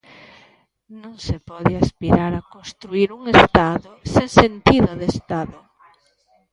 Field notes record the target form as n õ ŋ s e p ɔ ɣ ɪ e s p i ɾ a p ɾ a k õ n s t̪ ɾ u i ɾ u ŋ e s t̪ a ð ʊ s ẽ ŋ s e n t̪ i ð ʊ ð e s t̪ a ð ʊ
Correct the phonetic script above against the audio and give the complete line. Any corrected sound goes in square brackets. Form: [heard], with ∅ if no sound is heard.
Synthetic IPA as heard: n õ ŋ s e p ɔ [ð] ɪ [a] s p i ɾ a [∅] ɾ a k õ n s t̪ ɾ u i ɾ u ŋ e s t̪ a ð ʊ s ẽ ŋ s e n t̪ i ð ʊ ð e s t̪ a ð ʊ